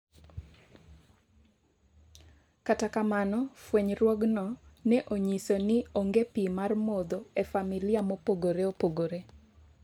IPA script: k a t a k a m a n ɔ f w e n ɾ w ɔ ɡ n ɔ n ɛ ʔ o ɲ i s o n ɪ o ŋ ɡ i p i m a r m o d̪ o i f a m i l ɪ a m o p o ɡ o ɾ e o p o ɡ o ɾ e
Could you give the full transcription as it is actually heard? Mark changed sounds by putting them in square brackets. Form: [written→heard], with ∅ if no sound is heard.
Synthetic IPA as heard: k a t a k a m a n ɔ f w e [n→ɲ] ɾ w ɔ ɡ n ɔ n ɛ ʔ o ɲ i s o n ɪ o ŋ ɡ [i→e] p i m a r m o d̪ o [i→e] f a m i l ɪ a m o p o ɡ o ɾ e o p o ɡ o ɾ e

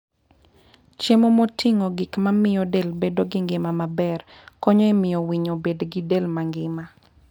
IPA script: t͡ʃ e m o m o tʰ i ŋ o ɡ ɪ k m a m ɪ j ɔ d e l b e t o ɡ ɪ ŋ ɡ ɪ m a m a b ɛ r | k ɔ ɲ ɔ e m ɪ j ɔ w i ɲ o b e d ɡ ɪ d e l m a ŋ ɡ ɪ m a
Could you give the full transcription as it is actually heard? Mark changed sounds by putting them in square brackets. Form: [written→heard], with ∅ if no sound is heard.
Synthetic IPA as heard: t͡ʃ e m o m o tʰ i ŋ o ɡ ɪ k m a m ɪ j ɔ d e l b e [t→d] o ɡ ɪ ŋ ɡ ɪ m a m a b ɛ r | k ɔ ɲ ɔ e m ɪ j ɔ w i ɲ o b e d ɡ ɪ d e l m a ŋ ɡ ɪ m a

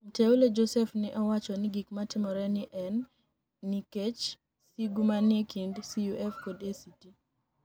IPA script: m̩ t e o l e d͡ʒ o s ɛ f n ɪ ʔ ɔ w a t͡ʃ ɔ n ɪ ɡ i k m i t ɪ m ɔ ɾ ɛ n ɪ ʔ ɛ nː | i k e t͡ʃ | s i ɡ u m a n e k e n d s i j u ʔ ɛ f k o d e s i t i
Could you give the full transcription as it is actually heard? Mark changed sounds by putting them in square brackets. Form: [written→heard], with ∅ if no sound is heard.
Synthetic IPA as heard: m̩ t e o l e d͡ʒ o s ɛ f n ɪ ʔ ɔ w a t͡ʃ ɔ n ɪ ɡ i k m [i→a] t ɪ m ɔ ɾ ɛ n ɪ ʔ ɛ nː | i k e t͡ʃ | s i ɡ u m a n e k [e→i] n d s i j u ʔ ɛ f k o d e s i t i

